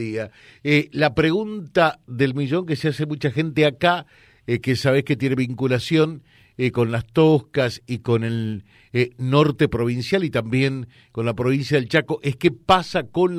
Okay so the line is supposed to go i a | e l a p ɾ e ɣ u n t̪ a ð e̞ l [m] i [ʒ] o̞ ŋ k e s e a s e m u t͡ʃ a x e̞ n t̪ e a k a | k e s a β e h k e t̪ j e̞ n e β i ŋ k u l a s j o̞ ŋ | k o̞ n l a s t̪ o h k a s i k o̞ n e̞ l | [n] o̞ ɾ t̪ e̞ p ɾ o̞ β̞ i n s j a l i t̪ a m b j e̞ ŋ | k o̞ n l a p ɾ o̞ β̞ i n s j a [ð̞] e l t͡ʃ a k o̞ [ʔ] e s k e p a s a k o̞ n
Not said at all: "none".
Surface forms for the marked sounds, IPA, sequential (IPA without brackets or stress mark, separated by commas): m, ʒ, n, ð̞, ʔ